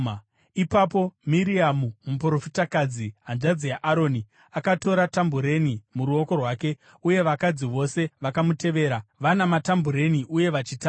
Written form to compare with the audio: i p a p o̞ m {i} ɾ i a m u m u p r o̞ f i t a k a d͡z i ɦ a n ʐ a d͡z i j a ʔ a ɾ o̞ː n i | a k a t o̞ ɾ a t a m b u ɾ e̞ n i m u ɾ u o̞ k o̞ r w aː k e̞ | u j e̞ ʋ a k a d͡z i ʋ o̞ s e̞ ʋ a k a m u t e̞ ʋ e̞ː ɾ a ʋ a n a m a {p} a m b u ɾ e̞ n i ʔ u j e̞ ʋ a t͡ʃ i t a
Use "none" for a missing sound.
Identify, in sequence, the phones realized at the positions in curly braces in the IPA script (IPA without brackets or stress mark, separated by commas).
i, t